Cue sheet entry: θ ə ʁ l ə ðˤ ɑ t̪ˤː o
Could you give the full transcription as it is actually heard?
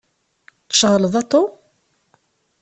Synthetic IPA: ʃ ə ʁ l ə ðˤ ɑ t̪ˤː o